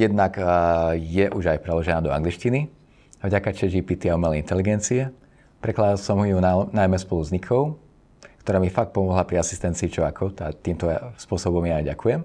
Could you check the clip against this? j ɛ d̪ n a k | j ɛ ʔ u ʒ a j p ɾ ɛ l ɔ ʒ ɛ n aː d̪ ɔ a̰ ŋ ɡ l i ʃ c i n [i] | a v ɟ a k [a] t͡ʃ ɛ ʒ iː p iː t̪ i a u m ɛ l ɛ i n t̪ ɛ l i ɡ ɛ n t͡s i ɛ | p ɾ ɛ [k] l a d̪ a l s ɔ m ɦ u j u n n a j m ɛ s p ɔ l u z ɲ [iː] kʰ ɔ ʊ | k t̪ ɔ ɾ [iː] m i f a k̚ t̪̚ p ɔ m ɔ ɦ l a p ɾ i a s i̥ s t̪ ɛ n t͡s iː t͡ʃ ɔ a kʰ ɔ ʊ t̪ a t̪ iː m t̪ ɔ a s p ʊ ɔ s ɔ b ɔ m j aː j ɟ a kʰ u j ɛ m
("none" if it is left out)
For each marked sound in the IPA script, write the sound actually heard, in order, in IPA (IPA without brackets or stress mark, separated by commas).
i, a, k, i, aː